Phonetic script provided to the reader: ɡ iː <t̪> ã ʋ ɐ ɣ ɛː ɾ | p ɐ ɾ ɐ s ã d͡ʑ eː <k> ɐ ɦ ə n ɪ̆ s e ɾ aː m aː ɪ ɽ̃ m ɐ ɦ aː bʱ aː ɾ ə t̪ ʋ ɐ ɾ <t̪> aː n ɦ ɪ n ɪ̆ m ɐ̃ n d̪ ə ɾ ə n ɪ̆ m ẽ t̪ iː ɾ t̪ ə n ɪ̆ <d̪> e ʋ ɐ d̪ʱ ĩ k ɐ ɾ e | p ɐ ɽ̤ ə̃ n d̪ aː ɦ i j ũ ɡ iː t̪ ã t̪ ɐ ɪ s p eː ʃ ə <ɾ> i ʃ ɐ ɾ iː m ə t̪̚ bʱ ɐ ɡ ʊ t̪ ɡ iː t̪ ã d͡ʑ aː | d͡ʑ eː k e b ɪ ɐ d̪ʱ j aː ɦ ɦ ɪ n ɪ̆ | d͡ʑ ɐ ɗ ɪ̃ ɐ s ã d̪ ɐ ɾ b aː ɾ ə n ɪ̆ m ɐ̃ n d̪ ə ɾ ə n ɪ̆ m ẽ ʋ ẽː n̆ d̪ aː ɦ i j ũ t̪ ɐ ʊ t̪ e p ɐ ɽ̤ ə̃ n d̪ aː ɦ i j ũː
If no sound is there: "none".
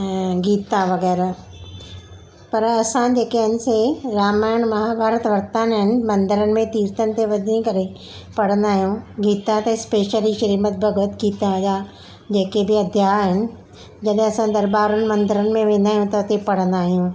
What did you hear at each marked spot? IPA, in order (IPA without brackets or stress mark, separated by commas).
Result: t̪, k, t̪, t̪, l